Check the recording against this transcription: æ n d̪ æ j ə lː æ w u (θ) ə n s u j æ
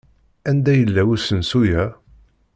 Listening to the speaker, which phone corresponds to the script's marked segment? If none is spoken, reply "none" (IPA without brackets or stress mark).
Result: s